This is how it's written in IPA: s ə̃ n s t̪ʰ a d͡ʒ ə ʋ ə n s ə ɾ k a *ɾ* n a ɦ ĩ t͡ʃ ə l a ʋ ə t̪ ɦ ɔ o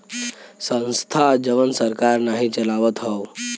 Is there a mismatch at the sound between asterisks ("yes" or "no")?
no